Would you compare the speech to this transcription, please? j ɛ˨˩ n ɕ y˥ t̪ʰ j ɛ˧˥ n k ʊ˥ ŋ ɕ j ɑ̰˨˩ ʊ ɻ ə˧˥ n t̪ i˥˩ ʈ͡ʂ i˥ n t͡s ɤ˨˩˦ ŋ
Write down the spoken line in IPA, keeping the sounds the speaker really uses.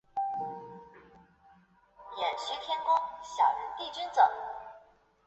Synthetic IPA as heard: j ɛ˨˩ n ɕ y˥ t̪ʰ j ɛ˥ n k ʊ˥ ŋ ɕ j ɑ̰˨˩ ʊ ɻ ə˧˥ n t̪ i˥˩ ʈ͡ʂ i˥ n t͡s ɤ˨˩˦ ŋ